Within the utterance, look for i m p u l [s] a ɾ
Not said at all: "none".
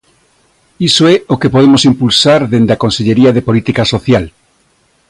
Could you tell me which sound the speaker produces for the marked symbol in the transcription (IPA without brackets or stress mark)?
s